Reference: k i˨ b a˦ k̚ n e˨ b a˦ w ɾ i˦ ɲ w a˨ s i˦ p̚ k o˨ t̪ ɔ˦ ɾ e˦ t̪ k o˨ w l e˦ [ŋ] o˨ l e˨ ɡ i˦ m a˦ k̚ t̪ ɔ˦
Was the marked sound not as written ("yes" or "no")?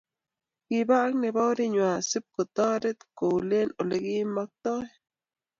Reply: yes